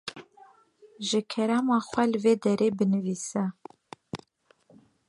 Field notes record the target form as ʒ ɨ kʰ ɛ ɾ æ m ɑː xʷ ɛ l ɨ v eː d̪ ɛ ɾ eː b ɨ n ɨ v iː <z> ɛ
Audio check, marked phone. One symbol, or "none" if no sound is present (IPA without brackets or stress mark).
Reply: s